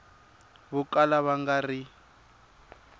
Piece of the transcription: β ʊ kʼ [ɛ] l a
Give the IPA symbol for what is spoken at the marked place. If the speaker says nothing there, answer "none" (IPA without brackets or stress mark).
a